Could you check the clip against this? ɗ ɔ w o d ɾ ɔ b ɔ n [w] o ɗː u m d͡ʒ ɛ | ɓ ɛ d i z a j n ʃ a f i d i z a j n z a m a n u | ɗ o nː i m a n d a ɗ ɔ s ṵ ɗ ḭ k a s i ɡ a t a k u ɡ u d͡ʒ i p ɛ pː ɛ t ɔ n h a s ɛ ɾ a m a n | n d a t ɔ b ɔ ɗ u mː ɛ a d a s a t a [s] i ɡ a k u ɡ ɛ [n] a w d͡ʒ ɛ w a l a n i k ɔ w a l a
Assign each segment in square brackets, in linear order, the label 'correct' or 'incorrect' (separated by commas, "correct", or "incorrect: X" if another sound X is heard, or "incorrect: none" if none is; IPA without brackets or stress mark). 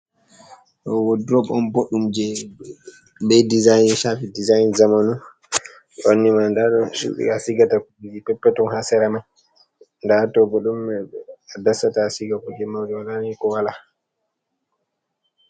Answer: incorrect: b, correct, incorrect: m